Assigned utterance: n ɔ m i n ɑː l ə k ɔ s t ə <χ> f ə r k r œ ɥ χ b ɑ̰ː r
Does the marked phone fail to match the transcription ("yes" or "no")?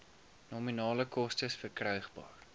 yes